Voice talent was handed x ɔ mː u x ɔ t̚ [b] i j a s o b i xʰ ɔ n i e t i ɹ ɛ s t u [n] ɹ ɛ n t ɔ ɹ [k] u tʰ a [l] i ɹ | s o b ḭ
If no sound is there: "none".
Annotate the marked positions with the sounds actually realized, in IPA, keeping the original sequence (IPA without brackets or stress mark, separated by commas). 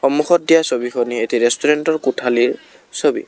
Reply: d, none, k, l